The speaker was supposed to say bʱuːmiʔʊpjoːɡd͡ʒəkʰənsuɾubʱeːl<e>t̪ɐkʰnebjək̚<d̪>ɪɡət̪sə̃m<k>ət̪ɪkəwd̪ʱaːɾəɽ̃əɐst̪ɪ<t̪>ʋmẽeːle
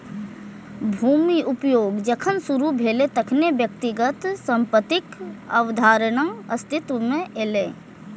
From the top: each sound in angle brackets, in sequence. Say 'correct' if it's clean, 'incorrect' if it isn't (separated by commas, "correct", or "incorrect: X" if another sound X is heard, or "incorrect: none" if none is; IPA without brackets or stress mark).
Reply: correct, incorrect: t̪, incorrect: p, correct